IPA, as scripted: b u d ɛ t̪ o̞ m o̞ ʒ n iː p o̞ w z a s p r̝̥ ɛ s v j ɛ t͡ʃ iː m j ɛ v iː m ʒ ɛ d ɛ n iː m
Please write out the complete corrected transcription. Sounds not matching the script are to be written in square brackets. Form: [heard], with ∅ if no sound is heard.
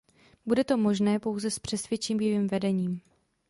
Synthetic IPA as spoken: b u d ɛ t̪ o̞ m o̞ ʒ n [ɛː] p o̞ w z [ɛ] s p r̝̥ ɛ s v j ɛ t͡ʃ iː m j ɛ v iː m [v] ɛ d ɛ [ɲ] iː m